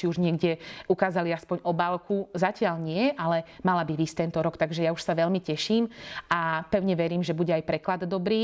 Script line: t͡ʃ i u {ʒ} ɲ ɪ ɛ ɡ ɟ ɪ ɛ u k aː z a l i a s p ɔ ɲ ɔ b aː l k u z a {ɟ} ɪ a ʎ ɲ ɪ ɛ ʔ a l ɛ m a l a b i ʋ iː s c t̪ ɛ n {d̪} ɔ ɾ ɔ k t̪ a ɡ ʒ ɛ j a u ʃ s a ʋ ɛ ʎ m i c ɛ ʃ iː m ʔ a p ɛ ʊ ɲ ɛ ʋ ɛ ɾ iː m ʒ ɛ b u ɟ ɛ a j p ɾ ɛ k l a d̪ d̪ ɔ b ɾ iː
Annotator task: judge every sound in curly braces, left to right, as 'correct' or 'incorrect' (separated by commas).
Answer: correct, incorrect, incorrect